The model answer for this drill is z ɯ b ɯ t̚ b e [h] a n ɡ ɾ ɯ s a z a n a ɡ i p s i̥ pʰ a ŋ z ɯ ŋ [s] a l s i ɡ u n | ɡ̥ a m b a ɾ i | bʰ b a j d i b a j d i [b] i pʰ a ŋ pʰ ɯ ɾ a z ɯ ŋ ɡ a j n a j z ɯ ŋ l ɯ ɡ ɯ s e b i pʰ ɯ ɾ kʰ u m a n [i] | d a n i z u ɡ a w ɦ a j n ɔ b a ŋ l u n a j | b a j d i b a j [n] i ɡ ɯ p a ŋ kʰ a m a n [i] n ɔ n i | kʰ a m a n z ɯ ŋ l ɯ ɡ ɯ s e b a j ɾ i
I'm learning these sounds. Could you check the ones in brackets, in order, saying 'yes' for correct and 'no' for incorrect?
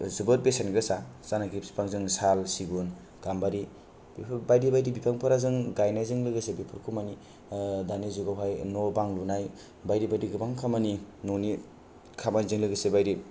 no, yes, yes, yes, no, yes

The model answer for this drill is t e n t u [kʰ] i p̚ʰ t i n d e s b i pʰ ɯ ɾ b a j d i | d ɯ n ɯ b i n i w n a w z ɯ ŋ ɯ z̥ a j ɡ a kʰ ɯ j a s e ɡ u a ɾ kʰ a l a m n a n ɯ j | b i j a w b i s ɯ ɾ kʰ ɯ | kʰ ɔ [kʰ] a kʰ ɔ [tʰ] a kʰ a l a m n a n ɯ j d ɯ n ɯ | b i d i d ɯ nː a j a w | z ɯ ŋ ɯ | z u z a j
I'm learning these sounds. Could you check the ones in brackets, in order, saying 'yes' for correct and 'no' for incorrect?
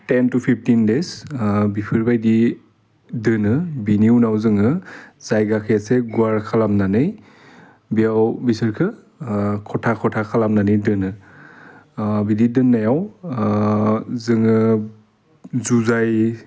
no, no, yes

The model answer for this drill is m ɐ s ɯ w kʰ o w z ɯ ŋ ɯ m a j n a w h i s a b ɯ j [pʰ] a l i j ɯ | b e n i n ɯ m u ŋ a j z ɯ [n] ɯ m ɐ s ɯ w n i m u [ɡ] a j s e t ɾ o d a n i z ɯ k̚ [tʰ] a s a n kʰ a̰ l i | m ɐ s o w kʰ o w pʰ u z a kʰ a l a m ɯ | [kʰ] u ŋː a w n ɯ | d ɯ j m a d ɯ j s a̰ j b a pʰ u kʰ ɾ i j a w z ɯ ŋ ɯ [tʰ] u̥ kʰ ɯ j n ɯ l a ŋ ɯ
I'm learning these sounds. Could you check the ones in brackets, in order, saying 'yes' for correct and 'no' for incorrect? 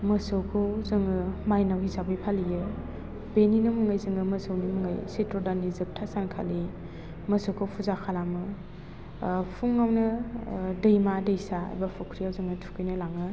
yes, no, no, yes, no, yes

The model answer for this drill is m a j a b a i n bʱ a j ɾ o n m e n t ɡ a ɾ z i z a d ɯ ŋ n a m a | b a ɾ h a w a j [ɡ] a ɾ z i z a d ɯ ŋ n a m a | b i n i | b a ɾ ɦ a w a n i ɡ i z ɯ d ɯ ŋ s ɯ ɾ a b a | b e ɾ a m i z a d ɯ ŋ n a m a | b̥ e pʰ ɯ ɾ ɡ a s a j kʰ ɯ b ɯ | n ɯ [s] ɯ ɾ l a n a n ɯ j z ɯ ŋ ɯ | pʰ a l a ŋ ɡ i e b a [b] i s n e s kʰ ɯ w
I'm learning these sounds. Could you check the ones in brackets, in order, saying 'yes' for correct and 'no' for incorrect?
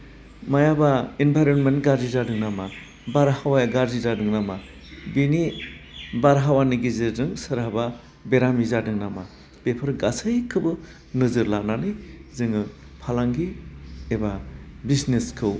yes, no, yes

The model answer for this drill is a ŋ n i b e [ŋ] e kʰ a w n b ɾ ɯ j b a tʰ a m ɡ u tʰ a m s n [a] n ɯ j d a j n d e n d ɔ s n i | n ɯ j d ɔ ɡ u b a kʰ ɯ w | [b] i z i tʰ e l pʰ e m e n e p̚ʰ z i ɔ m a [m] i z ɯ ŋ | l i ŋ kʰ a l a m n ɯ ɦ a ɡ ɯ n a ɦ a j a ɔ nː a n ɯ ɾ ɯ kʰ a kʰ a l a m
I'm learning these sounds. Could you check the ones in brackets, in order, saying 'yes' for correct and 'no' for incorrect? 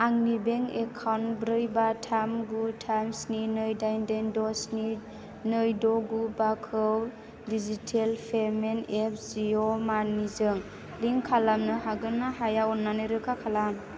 yes, no, no, no

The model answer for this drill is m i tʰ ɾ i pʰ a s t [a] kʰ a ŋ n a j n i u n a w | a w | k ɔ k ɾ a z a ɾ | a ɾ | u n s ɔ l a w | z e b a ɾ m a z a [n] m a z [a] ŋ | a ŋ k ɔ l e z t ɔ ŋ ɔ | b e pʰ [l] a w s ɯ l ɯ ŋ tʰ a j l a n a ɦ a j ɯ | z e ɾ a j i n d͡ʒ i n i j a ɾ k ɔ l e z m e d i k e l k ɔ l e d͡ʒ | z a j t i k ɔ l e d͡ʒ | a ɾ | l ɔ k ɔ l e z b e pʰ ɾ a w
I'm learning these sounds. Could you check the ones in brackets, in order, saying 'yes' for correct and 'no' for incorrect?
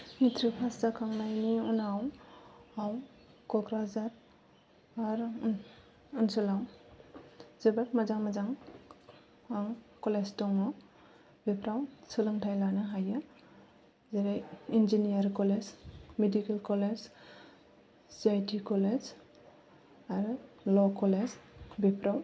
yes, no, yes, no

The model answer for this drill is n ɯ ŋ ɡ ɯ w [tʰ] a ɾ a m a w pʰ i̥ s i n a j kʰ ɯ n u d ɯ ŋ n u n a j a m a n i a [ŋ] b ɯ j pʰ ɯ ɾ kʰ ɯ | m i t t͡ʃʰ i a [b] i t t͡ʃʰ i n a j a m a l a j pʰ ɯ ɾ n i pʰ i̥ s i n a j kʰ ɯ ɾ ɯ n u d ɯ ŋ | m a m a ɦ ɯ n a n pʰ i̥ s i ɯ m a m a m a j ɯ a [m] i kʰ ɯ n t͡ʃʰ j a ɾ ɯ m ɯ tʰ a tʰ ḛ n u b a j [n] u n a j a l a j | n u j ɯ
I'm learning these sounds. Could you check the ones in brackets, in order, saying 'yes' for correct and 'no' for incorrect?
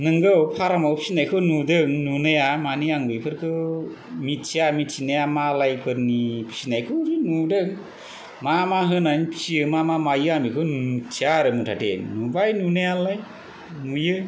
no, yes, no, yes, yes

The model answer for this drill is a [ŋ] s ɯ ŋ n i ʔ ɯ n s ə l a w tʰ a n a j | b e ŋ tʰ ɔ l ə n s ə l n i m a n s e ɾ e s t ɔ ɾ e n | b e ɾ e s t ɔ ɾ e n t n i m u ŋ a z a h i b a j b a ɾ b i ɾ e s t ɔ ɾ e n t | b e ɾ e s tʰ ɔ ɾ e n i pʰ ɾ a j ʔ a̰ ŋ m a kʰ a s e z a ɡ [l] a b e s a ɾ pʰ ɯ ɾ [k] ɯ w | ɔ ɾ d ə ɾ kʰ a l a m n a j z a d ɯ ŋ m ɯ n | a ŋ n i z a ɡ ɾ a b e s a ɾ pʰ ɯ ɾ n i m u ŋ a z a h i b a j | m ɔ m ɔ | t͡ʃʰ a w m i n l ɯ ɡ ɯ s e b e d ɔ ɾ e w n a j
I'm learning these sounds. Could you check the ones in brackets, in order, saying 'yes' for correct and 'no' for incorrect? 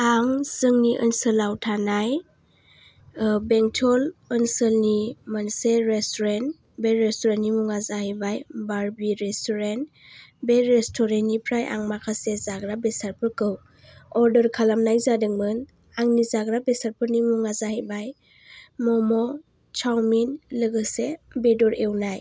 yes, no, yes

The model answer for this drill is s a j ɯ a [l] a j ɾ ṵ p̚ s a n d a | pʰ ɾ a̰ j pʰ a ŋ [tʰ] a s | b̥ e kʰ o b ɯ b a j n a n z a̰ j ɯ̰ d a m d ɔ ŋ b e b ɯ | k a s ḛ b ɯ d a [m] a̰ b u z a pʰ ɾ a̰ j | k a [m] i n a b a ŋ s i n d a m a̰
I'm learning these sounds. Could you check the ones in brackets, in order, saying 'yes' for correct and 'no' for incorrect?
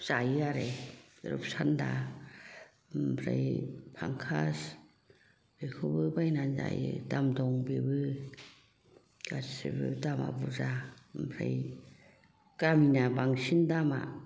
no, no, yes, yes

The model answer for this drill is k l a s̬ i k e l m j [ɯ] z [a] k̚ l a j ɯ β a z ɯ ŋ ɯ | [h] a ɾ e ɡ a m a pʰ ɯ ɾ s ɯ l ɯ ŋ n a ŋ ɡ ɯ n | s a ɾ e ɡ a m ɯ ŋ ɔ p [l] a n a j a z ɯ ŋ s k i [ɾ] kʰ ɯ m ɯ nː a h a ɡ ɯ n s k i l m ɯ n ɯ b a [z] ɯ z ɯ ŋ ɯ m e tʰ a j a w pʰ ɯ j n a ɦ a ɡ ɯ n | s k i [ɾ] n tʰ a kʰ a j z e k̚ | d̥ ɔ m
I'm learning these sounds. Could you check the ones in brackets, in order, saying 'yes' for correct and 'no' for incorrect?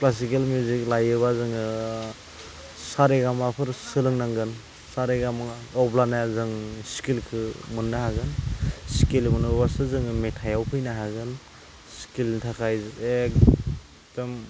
no, no, no, yes, no, no, no

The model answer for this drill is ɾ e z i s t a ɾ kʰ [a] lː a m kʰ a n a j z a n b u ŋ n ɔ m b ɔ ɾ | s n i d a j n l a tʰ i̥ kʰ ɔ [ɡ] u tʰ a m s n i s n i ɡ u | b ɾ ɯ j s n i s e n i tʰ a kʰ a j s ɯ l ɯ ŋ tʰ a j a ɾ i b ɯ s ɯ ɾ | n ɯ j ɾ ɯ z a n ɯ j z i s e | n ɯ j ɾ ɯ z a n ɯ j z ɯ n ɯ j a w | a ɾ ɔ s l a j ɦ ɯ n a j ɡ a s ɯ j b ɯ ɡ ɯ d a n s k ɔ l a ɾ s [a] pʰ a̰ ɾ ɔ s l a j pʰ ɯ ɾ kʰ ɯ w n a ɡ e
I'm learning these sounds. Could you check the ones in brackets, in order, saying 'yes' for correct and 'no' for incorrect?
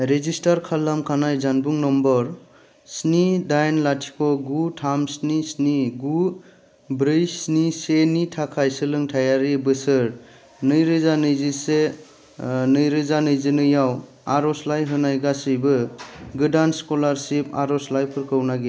yes, yes, no

